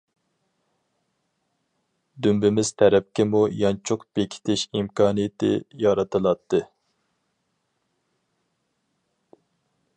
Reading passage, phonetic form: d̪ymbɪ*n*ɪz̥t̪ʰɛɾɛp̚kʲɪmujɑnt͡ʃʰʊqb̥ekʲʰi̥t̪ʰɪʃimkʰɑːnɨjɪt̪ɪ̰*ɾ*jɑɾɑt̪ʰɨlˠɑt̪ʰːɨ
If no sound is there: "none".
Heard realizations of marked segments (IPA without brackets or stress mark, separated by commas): m, none